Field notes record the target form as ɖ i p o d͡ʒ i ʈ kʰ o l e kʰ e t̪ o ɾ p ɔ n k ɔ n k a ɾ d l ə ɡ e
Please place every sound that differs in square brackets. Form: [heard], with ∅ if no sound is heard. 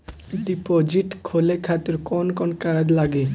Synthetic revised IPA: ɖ i p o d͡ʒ i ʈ kʰ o l e kʰ [a] t̪ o ɾ [k] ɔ n k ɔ n k a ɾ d l [a] ɡ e